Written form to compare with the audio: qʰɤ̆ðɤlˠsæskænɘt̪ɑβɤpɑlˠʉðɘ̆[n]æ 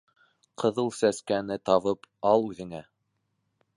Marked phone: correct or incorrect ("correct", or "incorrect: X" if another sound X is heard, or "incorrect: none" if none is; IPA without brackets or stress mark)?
incorrect: ŋ